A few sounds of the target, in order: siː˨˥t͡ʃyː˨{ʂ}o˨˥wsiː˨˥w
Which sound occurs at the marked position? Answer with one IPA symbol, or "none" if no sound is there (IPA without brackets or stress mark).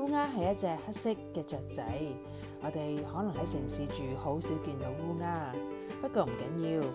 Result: h